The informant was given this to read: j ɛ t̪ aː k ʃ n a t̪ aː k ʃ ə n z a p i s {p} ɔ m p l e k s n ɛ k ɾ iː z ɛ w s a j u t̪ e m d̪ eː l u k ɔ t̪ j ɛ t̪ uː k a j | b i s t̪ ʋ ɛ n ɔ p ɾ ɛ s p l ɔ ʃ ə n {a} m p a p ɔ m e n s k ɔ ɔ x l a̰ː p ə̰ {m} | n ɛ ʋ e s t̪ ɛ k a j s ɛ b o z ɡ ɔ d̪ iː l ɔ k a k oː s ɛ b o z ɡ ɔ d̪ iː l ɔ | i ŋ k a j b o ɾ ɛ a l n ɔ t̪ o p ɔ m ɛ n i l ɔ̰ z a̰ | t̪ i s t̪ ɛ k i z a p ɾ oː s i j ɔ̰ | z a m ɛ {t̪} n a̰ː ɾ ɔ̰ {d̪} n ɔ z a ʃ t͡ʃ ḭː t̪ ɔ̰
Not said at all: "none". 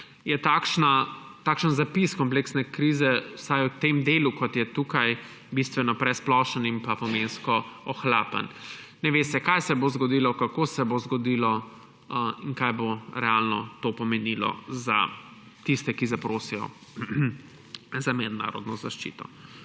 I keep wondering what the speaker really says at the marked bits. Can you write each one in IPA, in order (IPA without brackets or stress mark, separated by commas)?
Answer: k, i, n, d̪, d̪